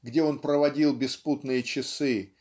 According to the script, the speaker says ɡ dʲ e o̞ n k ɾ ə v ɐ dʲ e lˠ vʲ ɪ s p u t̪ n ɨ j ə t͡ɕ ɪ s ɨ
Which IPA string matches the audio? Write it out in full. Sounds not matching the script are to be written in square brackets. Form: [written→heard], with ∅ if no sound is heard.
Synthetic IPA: ɡ dʲ e o̞ n [k→p] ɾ ə v ɐ dʲ [e→i] lˠ [vʲ→bʲ] ɪ s p u t̪ n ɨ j ə t͡ɕ ɪ s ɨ